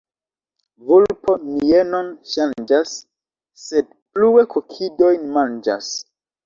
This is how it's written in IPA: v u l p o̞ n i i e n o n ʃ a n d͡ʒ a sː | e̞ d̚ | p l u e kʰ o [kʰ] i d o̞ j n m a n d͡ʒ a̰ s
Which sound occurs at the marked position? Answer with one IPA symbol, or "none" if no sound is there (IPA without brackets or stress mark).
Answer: kʰ